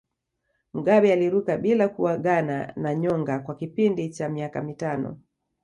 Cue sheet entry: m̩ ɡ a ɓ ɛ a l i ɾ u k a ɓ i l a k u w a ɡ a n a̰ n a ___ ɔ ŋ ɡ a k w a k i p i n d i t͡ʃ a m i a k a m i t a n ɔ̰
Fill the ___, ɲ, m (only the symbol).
ɲ